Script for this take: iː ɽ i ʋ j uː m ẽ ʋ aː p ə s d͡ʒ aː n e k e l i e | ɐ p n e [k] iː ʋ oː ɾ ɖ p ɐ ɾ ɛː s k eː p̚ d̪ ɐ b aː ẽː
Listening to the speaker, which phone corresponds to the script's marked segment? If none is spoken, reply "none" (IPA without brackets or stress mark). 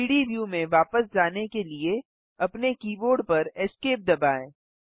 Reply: k